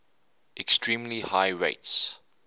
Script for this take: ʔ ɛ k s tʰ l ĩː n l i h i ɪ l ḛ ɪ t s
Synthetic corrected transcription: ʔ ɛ k s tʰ ɹ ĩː m l i h a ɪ ɹ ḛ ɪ t s